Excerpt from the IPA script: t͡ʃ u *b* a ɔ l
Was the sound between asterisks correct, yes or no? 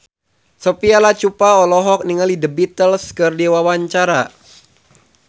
no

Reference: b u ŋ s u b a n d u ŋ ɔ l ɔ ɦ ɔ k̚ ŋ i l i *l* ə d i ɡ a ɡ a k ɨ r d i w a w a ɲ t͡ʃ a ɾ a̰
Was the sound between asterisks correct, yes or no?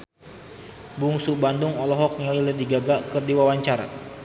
yes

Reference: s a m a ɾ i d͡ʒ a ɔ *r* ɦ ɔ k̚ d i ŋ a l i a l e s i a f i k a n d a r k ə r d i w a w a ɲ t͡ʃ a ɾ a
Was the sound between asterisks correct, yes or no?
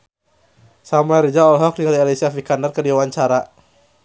no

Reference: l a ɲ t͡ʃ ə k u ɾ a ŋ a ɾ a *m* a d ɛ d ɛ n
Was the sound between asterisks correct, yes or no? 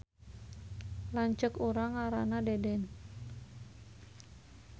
no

